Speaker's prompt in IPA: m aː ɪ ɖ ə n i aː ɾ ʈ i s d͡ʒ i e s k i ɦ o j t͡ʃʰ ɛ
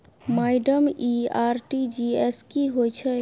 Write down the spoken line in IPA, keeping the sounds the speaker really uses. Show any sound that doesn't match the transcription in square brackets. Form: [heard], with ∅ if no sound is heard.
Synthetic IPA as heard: m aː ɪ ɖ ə [m] i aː ɾ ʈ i [∅] d͡ʒ i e s k i ɦ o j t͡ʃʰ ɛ